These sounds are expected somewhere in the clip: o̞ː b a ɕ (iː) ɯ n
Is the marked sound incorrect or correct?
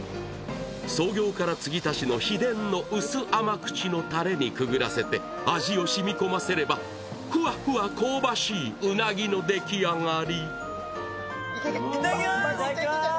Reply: correct